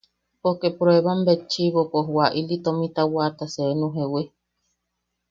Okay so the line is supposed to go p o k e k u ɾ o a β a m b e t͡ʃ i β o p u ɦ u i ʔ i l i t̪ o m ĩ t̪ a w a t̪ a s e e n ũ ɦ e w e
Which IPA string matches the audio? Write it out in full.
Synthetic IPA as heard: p o k e p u ɾ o e β a m b e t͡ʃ i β o p o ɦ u a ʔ i l i t̪ o m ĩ t̪ a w a t̪ a s e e n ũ ɦ e w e

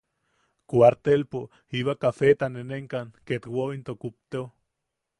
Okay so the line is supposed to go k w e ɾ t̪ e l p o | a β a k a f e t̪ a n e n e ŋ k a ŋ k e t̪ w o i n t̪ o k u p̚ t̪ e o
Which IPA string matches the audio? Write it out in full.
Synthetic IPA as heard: k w a ɾ t̪ e l p o | i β a k a f e t̪ a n e n e ŋ k a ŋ k e t̪ w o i n t̪ o k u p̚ t̪ e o

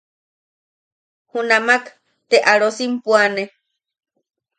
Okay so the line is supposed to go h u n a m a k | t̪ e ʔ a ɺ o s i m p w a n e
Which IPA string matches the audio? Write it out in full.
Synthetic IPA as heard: h u n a m a k | t̪ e ʔ a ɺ o s i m p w a n e

